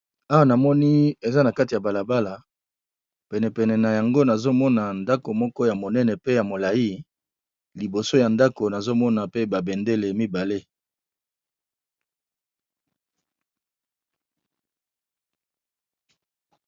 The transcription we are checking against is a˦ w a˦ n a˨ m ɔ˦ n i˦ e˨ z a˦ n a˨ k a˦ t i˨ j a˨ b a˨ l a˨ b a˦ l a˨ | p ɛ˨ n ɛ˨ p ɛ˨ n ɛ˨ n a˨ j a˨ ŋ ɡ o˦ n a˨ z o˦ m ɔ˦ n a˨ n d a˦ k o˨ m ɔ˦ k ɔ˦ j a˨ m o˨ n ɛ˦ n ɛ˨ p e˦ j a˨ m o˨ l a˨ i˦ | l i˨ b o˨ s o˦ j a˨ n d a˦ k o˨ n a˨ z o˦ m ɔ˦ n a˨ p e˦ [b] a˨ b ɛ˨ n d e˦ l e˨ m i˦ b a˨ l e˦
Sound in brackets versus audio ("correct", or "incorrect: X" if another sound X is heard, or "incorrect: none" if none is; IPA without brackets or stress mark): correct